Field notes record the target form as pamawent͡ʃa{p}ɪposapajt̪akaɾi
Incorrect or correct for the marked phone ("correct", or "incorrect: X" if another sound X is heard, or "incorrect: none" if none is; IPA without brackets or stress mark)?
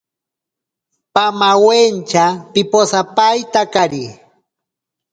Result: correct